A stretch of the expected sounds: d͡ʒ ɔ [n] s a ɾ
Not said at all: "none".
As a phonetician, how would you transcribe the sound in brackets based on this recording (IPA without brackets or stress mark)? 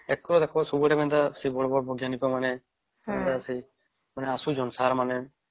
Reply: n